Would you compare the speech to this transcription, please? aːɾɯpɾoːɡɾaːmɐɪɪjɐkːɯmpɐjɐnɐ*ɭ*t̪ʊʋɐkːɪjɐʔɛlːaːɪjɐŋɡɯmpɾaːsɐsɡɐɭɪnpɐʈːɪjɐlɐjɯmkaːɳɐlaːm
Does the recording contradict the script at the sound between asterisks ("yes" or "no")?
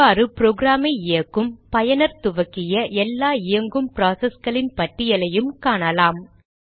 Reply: yes